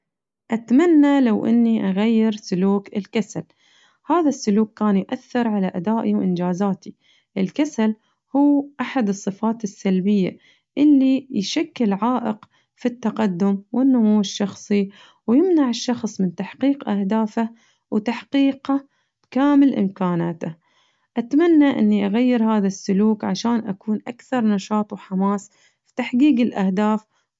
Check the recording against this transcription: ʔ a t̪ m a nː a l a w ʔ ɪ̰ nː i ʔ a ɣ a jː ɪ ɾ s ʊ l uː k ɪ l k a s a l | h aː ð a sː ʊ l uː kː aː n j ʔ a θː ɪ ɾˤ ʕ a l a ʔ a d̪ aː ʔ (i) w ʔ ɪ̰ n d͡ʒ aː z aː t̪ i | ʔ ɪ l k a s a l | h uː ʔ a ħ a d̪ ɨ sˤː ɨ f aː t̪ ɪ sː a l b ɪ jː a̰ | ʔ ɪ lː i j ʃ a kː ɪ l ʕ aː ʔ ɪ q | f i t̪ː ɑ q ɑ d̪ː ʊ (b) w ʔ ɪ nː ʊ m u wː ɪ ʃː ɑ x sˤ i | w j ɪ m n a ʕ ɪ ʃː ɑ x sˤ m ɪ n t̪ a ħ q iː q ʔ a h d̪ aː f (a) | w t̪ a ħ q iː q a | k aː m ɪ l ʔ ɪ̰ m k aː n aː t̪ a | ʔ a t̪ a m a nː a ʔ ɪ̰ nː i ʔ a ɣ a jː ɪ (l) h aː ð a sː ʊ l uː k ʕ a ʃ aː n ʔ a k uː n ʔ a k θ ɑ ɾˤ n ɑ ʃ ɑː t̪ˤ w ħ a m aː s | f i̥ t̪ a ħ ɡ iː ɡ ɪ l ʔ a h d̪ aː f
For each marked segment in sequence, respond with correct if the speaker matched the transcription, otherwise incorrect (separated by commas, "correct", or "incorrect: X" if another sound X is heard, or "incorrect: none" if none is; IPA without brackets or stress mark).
correct, incorrect: m, correct, incorrect: ɾ